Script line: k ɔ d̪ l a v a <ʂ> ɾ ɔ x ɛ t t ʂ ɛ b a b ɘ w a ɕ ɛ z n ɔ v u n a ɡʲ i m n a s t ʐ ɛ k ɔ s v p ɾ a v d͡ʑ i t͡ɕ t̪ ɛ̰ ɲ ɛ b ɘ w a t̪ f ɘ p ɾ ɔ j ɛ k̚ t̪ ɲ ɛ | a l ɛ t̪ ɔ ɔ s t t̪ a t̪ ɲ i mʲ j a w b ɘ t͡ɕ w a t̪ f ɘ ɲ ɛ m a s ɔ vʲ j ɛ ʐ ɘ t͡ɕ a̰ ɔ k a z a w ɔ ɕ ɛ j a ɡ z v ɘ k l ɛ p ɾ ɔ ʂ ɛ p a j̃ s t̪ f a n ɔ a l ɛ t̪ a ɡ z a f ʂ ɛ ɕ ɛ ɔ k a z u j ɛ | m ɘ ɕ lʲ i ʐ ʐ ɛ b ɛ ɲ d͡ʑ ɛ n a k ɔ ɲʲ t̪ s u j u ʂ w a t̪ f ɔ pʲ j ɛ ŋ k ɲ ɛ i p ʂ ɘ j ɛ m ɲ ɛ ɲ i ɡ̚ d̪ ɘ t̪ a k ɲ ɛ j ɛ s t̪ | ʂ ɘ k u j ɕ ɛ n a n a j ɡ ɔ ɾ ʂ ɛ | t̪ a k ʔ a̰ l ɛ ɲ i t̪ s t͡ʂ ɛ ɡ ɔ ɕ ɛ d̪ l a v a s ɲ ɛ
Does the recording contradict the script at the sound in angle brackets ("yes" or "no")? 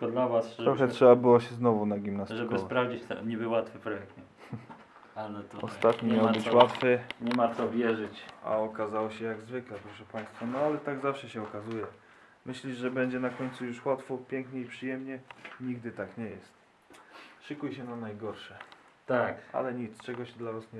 yes